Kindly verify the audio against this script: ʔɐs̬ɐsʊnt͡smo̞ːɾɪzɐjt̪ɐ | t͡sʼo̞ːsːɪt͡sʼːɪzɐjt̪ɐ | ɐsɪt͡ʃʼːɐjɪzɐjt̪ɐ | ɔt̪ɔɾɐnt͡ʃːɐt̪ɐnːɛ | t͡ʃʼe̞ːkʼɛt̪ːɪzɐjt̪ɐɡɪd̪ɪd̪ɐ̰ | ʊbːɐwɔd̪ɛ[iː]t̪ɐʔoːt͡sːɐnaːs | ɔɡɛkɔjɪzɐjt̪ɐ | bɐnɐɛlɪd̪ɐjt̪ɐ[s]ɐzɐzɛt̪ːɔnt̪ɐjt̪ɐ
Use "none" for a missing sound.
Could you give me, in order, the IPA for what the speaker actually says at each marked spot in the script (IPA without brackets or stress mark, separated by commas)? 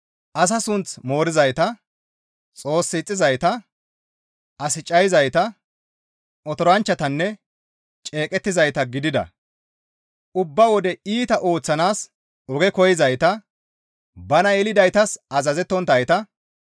iː, s